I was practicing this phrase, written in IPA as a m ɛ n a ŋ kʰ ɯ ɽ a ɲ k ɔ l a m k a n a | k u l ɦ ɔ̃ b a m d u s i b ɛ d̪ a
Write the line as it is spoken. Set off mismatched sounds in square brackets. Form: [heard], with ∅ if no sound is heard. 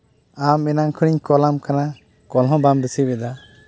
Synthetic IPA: a m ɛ n a ŋ kʰ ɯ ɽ [i] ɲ k ɔ l a m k a n a | k [ɔ] l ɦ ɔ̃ b a m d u s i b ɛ d̪ a